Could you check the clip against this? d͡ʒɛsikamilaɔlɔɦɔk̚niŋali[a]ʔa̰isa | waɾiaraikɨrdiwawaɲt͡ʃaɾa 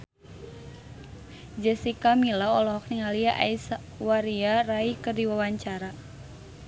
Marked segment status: correct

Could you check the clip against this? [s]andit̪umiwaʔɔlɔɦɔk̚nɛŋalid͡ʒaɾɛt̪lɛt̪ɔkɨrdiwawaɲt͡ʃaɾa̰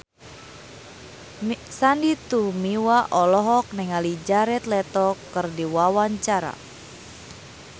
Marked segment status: correct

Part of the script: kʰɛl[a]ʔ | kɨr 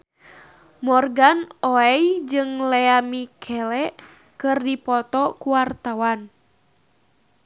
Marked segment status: incorrect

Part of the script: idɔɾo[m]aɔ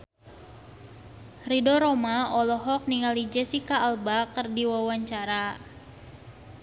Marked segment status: correct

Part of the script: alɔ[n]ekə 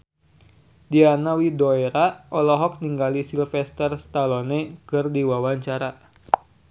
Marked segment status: correct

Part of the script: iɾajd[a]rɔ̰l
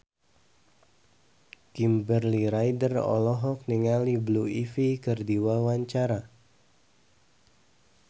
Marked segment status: incorrect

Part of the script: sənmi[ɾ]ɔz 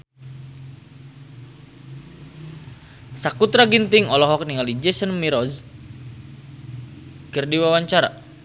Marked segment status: correct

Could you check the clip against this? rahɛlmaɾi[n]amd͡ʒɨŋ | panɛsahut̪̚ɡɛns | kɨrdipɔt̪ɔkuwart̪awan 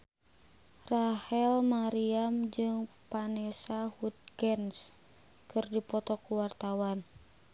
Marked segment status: incorrect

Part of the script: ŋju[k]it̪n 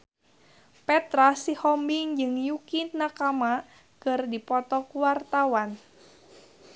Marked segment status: correct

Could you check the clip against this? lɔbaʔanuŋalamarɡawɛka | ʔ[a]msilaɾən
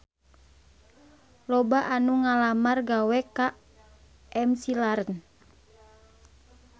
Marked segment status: incorrect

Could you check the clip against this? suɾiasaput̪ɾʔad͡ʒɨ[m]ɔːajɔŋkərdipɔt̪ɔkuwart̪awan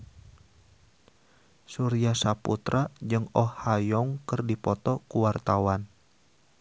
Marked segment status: incorrect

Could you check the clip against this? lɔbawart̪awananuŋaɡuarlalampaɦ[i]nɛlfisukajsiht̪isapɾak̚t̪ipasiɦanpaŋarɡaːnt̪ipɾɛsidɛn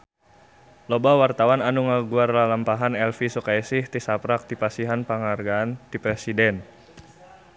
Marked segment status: incorrect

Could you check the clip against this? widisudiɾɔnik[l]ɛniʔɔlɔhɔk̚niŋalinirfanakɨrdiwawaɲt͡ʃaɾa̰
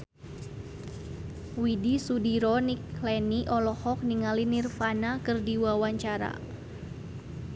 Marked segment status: correct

